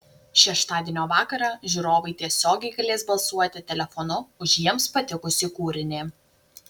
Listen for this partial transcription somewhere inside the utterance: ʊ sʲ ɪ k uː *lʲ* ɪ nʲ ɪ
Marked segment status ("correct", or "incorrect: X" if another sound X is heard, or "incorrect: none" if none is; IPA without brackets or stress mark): incorrect: ɾʲ